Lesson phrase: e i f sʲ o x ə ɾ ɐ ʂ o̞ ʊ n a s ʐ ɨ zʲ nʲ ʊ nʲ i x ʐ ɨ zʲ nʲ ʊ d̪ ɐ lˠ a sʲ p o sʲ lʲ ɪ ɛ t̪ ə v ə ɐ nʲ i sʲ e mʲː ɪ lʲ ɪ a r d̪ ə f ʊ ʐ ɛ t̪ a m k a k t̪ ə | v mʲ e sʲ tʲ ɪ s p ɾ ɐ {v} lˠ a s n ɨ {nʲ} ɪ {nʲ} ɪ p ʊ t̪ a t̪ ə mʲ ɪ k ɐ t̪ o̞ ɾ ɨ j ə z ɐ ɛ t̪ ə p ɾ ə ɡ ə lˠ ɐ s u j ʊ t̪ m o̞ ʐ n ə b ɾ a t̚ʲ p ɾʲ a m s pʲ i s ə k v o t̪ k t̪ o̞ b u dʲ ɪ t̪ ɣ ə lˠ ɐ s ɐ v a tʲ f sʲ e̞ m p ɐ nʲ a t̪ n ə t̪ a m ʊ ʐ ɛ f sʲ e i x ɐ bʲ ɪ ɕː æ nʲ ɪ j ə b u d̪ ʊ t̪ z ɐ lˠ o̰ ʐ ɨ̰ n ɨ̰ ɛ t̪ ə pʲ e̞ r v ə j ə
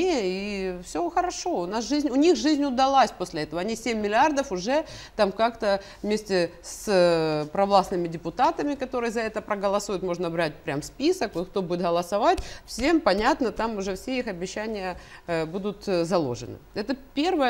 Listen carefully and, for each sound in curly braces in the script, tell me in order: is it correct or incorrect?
correct, incorrect: mʲ, incorrect: dʲ

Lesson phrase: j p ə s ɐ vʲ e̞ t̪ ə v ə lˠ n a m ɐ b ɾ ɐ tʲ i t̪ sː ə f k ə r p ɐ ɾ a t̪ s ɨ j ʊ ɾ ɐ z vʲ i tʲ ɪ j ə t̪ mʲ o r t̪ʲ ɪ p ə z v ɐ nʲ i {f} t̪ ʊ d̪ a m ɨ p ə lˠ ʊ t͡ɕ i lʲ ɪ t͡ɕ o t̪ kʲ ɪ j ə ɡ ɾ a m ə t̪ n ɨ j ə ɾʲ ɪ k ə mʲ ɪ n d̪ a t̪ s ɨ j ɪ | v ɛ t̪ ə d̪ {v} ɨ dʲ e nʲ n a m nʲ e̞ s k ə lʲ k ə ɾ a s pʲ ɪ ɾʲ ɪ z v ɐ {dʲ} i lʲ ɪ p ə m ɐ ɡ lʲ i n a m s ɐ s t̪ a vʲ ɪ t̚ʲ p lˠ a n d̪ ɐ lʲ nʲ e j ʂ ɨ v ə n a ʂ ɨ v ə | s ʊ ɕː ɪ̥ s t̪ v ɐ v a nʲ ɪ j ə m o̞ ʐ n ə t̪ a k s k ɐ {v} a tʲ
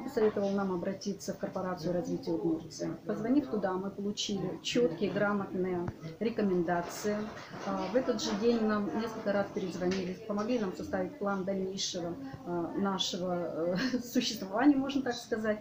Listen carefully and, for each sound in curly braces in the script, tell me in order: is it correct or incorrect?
correct, incorrect: ʐ, incorrect: nʲ, incorrect: z

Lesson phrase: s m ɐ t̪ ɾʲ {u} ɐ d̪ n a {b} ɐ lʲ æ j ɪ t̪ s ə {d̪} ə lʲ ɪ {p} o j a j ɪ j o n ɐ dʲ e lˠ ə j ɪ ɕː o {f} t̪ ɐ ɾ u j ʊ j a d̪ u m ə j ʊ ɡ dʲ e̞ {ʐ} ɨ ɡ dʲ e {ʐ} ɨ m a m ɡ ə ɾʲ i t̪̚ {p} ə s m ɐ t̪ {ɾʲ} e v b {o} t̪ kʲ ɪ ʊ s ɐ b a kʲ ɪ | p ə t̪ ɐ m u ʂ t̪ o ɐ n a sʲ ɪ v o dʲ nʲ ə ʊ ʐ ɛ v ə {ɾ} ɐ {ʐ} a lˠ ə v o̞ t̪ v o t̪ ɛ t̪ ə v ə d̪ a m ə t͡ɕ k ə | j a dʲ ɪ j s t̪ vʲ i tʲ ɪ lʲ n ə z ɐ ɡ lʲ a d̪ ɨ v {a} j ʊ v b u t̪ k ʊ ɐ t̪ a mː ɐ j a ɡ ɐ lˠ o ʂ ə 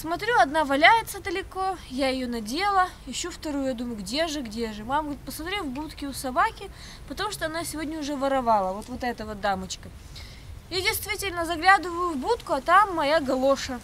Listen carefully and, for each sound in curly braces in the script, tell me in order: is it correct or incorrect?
correct, incorrect: v, correct, incorrect: k, correct, correct, correct, correct, correct, incorrect: u, correct, incorrect: v, incorrect: ə

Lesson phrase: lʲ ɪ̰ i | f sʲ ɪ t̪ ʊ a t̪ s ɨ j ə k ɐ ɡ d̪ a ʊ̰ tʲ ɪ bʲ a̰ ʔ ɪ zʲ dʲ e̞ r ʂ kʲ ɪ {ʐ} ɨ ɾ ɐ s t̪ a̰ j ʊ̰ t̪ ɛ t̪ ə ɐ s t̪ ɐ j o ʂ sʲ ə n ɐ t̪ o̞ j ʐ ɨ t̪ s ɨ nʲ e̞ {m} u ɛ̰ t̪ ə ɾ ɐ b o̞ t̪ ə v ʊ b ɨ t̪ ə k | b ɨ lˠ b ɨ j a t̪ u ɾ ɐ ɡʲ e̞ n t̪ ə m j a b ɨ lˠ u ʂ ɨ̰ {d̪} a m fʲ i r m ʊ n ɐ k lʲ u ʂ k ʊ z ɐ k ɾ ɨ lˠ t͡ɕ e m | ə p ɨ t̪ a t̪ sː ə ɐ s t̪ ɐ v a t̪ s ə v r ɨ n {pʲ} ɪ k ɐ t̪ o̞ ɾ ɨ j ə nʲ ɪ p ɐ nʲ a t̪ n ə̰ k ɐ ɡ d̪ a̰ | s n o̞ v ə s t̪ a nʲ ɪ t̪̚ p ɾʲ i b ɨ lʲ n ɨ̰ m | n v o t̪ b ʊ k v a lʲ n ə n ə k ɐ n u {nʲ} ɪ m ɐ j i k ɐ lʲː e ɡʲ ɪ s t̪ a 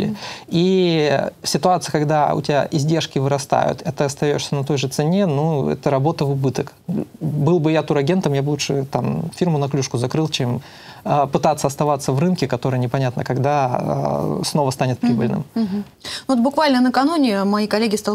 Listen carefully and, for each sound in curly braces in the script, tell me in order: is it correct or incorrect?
incorrect: v, incorrect: n, incorrect: t̪, incorrect: kʲ, correct

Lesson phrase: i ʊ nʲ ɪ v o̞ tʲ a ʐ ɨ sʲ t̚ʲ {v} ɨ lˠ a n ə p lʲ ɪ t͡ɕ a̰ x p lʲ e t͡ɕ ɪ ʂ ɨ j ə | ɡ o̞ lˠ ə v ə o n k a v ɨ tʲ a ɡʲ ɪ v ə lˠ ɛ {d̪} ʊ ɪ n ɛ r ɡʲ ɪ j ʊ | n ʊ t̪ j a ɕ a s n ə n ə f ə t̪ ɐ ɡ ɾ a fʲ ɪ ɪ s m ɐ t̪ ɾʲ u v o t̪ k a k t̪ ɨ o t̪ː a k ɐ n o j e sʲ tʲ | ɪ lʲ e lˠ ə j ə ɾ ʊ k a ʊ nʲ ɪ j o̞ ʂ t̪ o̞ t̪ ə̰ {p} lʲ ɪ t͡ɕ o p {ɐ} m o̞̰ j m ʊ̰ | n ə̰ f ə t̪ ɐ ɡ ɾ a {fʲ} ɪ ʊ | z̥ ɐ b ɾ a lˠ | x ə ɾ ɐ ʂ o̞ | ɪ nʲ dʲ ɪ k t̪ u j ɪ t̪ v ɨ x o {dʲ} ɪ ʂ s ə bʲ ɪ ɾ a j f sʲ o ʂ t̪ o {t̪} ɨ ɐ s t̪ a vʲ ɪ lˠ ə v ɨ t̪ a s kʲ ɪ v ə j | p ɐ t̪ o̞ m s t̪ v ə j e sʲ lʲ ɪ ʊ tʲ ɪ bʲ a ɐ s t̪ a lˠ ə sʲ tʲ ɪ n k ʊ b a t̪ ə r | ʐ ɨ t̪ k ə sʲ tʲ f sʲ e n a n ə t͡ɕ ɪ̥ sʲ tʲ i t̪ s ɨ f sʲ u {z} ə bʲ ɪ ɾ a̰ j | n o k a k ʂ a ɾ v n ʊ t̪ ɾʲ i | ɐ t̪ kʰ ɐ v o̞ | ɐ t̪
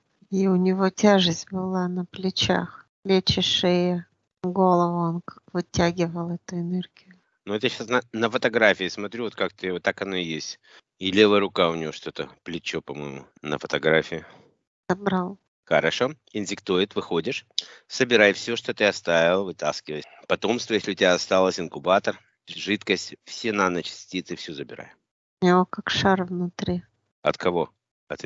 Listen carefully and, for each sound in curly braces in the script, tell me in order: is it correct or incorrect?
incorrect: b, incorrect: t̪, correct, correct, correct, correct, correct, correct

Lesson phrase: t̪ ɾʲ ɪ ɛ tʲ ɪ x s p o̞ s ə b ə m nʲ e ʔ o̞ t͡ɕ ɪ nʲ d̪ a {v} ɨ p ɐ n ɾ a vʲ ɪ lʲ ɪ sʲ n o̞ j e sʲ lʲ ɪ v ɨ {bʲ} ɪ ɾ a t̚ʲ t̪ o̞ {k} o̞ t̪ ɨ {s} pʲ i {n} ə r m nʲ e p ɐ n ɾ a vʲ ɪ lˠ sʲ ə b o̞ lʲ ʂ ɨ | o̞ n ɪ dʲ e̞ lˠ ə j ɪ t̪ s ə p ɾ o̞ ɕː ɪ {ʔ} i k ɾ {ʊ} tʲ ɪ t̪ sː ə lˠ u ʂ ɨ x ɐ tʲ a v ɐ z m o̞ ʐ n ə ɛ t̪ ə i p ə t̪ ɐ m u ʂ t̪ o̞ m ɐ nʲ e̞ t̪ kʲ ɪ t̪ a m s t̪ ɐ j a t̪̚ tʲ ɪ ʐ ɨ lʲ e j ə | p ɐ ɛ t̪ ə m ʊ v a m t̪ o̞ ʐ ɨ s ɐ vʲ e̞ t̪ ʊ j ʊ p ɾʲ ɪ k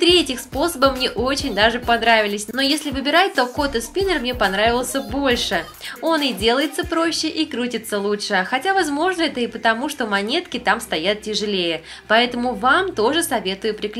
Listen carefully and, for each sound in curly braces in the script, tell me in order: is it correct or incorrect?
incorrect: ʐ, correct, correct, correct, correct, correct, incorrect: u

